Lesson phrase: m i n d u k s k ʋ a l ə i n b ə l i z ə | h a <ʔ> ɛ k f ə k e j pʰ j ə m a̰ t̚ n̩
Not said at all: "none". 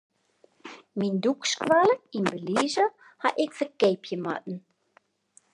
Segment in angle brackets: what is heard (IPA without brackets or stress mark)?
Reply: ʔ